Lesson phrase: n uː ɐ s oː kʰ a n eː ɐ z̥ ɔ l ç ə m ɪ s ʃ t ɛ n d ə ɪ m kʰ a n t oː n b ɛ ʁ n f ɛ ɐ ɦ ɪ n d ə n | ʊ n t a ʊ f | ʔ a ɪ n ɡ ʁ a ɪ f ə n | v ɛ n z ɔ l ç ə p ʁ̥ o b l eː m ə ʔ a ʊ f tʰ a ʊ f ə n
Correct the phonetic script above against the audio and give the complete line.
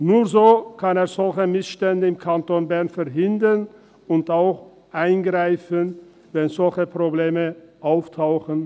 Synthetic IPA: n uː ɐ z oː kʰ a n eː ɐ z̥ ɔ l ç ə m ɪ s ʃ t ɛ n d ə ɪ m kʰ a n t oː n b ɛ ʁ n f ɛ ɐ ɦ ɪ n d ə n | ʊ n t a ʊ x | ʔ a ɪ n ɡ ʁ a ɪ f ə n | v ɛ n z ɔ l ç ə p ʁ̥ o b l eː m ə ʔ a ʊ f tʰ a ʊ x ə n